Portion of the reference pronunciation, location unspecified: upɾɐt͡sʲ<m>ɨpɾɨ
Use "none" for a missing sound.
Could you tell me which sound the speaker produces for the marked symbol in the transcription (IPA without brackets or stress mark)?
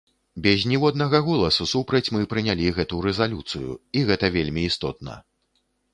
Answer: m